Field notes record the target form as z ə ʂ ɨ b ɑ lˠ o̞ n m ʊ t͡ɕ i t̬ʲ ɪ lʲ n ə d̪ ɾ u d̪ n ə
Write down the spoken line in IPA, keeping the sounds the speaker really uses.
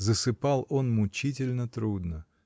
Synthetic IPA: z ə s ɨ p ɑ lˠ o̞ n m ʊ t͡ɕ i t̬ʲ ɪ lʲ n ə t̪ ɾ u d̪ n ə